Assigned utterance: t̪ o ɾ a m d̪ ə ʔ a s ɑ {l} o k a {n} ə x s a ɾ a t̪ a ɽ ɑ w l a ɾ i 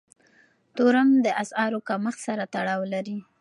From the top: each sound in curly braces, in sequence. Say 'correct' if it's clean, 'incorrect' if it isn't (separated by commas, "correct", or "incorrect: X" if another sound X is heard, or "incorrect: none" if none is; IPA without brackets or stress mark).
incorrect: ɾ, incorrect: m